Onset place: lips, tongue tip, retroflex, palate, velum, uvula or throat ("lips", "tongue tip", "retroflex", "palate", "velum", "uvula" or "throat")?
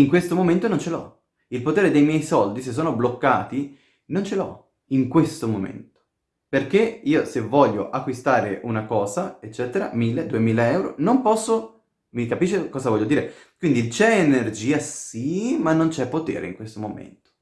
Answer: velum